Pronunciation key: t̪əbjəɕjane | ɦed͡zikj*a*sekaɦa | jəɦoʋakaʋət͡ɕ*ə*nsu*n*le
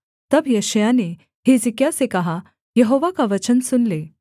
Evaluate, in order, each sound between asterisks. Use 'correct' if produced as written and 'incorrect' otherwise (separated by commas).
correct, correct, correct